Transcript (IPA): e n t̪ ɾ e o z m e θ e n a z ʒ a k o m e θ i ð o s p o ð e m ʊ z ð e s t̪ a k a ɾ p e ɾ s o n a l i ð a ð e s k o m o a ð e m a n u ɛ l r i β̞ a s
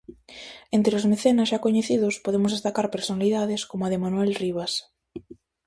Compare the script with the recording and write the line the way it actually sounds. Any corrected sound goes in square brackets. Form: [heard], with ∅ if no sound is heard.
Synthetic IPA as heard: e n t̪ ɾ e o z m e θ e n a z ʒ a k o [ɲ] e θ i ð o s p o ð e m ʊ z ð e s t̪ a k a ɾ p e ɾ s o n a l i ð a ð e s k o m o a ð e m a n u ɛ l r i β̞ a s